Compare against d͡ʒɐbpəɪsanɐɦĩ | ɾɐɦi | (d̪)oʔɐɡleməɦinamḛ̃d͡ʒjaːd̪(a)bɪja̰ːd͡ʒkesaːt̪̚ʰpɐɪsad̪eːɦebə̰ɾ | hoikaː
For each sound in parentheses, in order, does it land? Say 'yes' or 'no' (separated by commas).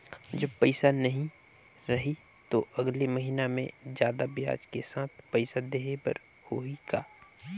no, yes